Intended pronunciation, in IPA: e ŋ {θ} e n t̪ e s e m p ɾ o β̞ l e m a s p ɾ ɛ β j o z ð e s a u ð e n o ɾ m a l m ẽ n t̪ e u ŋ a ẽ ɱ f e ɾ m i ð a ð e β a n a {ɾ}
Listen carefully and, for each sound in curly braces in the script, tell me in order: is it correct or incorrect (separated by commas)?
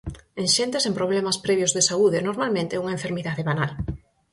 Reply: incorrect, incorrect